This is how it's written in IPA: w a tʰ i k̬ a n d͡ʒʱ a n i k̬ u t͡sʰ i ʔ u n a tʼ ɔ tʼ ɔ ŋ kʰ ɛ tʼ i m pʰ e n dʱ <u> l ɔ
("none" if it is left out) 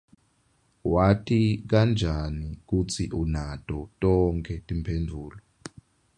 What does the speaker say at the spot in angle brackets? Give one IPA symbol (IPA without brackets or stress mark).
uː